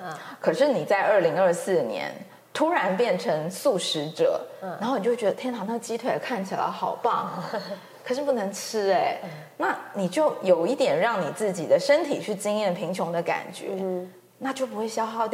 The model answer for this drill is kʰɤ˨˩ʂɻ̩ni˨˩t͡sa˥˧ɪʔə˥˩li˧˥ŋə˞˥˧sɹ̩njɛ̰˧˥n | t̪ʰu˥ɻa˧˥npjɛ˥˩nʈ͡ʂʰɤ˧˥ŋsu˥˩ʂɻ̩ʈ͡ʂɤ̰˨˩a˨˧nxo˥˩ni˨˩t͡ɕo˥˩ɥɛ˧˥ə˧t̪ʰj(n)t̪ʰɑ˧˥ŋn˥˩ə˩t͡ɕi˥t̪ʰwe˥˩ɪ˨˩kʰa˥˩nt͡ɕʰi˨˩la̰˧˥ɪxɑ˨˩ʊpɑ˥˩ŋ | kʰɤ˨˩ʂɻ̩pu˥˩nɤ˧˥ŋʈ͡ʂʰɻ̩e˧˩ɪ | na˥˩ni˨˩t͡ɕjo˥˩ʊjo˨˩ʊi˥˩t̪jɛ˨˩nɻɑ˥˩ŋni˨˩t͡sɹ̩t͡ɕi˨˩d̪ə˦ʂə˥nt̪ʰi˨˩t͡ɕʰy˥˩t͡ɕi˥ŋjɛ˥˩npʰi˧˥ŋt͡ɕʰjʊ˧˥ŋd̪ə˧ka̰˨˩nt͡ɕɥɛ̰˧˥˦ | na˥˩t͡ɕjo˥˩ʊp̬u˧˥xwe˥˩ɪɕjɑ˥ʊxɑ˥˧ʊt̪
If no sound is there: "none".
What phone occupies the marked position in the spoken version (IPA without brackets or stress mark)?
n